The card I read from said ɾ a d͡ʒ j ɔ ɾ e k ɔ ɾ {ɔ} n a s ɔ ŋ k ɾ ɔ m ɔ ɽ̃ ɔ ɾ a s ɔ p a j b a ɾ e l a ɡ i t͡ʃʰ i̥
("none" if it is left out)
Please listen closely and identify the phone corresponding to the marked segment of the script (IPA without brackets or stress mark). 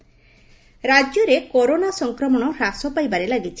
o